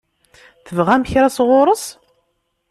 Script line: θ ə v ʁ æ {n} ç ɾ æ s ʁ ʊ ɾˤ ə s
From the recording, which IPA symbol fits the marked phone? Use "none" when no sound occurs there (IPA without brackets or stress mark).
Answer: m